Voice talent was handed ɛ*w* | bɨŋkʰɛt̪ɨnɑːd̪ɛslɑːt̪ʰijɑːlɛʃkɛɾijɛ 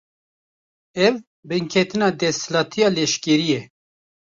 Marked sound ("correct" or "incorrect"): incorrect